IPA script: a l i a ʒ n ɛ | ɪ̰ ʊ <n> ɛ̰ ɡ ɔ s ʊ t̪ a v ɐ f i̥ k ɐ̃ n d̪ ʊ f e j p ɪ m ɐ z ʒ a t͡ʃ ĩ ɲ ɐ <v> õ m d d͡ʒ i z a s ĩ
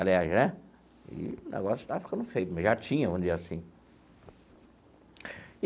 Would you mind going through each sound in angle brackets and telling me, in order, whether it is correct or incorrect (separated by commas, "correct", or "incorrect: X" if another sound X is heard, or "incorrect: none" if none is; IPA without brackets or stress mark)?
correct, correct